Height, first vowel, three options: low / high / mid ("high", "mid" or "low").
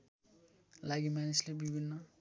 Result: low